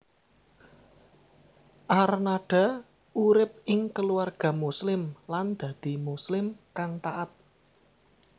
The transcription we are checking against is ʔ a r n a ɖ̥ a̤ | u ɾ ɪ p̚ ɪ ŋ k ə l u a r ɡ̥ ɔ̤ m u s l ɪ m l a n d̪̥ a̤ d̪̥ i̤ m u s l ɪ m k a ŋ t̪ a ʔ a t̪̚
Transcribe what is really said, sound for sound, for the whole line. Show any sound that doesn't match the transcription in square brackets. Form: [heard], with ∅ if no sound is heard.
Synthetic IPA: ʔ a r n a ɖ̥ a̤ | u ɾ ɪ p̚ ɪ ŋ k ə l u a r ɡ̥ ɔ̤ m u s l ɪ m l a n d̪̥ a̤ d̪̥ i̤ m u s l ɪ m k a ŋ t̪ a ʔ a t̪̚